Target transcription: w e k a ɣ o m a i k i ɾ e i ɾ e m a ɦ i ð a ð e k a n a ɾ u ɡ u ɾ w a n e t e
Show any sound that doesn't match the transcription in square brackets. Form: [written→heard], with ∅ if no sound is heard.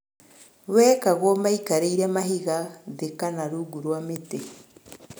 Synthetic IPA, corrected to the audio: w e k a ɣ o m a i k [i→a] ɾ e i ɾ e m a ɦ i [ð→ɣ] a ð e k a n a ɾ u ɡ u ɾ w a [n→m] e t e